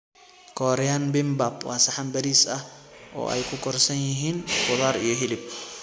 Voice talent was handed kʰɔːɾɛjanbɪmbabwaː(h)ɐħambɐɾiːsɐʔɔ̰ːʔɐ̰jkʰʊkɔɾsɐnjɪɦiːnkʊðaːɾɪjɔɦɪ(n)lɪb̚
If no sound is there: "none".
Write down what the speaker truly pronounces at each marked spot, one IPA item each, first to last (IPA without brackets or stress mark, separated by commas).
s, none